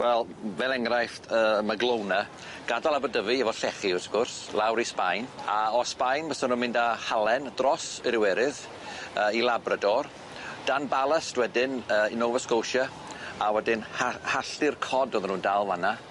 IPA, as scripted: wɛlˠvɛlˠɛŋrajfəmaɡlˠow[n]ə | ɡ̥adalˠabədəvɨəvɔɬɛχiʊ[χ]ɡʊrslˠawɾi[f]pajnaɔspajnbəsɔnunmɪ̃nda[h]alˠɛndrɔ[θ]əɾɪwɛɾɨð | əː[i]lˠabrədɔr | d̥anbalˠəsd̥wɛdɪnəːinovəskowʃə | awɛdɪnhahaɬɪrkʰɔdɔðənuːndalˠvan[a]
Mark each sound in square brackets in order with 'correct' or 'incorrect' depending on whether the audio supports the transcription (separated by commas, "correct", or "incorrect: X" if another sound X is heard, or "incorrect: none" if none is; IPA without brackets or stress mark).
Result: correct, incorrect: s, incorrect: s, correct, incorrect: s, correct, correct